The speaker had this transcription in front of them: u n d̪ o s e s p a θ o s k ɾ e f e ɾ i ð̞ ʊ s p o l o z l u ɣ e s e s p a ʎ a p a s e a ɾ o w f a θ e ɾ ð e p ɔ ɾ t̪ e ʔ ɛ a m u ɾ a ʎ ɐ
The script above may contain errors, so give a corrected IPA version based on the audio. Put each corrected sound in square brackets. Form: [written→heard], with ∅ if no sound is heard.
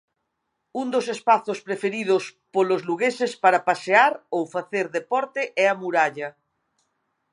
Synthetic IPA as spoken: u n d̪ o s e s p a θ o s [k→p] ɾ e f e ɾ i ð̞ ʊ s p o l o z l u ɣ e s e s p a [ʎ→ɾ] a p a s e a ɾ o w f a θ e ɾ ð e p ɔ ɾ t̪ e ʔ ɛ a m u ɾ a ʎ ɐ